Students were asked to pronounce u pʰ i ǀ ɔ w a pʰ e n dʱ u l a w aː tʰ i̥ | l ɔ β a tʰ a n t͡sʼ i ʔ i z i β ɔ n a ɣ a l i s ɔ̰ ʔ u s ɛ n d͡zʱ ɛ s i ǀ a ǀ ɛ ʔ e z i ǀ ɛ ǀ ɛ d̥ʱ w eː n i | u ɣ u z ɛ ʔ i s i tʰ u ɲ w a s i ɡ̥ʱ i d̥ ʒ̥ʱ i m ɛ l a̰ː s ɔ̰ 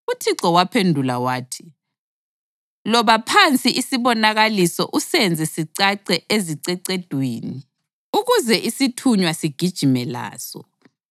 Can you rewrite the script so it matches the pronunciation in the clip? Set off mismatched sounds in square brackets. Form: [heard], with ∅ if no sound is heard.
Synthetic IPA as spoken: u [tʰ] i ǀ ɔ w a pʰ e n dʱ u l a w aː tʰ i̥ | l ɔ β a [pʰ] a n t͡sʼ i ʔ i [s] i β ɔ n a ɣ a l i s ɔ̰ ʔ u s ɛ n d͡zʱ ɛ s i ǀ a ǀ ɛ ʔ e z i ǀ ɛ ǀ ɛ d̥ʱ w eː n i | u ɣ u z ɛ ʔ i s i tʰ u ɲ w a s i ɡ̥ʱ i d̥ ʒ̥ʱ i m ɛ l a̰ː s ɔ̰

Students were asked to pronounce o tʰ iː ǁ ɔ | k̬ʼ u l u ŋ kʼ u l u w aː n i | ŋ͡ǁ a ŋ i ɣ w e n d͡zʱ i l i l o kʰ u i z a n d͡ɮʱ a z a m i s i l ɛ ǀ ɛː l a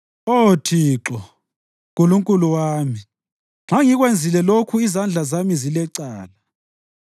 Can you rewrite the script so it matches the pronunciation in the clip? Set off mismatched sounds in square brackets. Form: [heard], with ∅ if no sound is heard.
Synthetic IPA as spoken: o tʰ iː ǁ ɔ | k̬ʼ u l u ŋ kʼ u l u w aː [m] i | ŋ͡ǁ a ŋ i ɣ w e n d͡zʱ i l [ɛ] l o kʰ u i z a n d͡ɮʱ a z a m i [z] i l ɛ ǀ [aː] l a

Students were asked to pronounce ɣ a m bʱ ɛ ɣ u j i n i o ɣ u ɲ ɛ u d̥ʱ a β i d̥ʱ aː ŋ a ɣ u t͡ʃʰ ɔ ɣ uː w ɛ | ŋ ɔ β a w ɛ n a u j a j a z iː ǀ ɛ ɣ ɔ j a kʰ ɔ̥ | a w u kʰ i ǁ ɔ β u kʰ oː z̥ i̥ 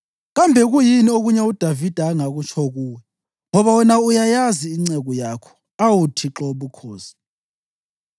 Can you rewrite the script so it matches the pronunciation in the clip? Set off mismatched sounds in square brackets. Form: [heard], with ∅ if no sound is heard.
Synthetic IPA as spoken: ɣ a m bʱ ɛ ɣ u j i n i o ɣ u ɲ ɛ u d̥ʱ a [v] i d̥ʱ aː ŋ a ɣ u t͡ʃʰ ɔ ɣ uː w ɛ | ŋ ɔ β a w ɛ n a u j a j a z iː [ŋ͡ǀ] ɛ ɣ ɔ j a kʰ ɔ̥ | a w u [tʰ] i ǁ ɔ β u kʰ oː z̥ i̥

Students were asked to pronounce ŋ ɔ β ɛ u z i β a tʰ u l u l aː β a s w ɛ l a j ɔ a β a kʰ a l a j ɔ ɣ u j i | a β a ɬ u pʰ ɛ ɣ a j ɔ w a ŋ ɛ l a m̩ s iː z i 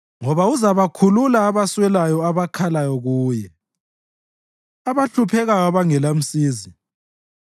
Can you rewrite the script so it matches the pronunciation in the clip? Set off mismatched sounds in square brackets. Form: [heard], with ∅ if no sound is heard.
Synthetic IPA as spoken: ŋ ɔ β [a] u z [a] β a [kʰ] u l u l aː β a s w ɛ l a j ɔ a β a kʰ a l a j ɔ ɣ [uː] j [ɛ] | a β a ɬ u pʰ ɛ ɣ a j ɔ [β] a ŋ ɛ l a m̩ s iː z i

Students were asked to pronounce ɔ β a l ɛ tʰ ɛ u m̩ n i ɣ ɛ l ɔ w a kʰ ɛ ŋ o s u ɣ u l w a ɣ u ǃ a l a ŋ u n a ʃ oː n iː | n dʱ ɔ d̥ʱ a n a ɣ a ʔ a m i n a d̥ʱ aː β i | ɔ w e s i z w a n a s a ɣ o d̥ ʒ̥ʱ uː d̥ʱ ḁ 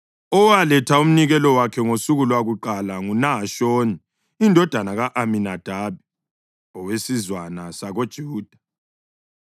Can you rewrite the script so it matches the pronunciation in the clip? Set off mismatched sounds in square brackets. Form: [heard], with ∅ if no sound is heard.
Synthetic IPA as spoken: ɔ [w] a l ɛ tʰ [a] u m̩ n i ɣ ɛ l ɔ w a kʰ ɛ ŋ o s u ɣ u l w a ɣ u ǃ a l a ŋ u n a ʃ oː n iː | n dʱ ɔ d̥ʱ a n a ɣ a ʔ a m i n a d̥ʱ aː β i | ɔ w e s i z w a n a s a ɣ o d̥ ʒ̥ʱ uː d̥ʱ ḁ

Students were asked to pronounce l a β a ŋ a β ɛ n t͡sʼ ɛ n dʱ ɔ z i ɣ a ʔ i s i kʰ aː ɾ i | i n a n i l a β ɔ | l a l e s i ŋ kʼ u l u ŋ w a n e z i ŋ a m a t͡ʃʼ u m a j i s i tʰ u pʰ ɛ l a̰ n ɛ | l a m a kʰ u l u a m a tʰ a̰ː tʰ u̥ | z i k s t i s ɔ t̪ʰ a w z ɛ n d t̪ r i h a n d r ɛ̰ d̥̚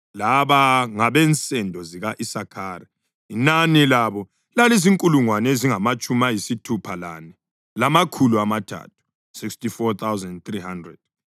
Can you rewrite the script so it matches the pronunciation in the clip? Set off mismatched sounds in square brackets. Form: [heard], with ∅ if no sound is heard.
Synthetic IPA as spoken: l a β a ŋ a β ɛ n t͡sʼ ɛ n dʱ ɔ z i ɣ a ʔ i s [a] kʰ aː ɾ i | i n a n i l a β ɔ | l a l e [z] i ŋ kʼ u l u ŋ w a n e z i ŋ a m a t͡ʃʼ u m a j i s i tʰ u pʰ [a] l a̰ n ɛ | l a m a kʰ u l u a m a tʰ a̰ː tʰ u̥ | [s] i k s t i [f] ɔ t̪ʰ a w z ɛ n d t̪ r i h a n d r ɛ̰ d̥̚

